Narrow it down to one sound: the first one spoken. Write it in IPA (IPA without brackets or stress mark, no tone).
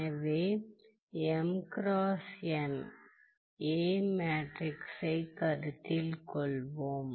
ʋ